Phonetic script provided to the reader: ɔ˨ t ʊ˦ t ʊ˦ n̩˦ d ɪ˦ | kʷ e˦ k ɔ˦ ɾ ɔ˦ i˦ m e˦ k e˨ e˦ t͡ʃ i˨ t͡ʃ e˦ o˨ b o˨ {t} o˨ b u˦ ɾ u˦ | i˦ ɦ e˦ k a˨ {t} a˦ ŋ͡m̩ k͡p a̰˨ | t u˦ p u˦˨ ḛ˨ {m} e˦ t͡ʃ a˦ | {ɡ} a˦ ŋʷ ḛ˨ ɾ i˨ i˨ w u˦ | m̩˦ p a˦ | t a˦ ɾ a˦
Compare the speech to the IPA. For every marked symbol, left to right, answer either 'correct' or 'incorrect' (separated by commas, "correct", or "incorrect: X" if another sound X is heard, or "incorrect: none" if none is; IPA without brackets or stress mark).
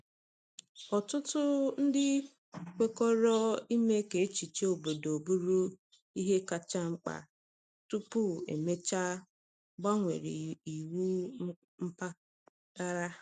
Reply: incorrect: d, incorrect: t͡ʃ, correct, incorrect: ɡ͡b